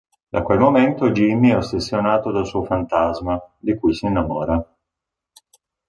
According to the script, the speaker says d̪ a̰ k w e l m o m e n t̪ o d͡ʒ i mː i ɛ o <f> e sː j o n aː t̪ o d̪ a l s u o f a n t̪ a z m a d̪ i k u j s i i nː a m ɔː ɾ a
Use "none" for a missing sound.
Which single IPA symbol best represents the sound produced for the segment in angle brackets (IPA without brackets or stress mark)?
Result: s